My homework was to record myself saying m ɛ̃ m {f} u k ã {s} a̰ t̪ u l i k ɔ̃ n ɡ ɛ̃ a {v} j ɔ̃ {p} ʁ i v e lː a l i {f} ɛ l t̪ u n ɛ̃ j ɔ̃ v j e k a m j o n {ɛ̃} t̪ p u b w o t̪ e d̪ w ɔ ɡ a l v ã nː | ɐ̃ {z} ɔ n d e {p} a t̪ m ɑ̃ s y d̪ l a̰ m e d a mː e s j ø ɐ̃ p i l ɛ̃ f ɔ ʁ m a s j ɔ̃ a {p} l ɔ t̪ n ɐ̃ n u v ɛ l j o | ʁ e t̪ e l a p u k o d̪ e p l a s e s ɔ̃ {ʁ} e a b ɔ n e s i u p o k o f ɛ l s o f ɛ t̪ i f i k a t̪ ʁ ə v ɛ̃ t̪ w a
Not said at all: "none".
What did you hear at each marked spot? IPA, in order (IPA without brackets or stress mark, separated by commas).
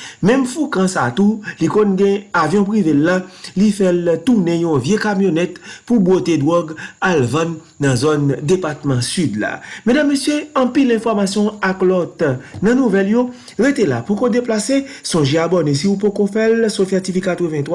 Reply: f, s, v, p, f, ɛ, z, p, k, ʒ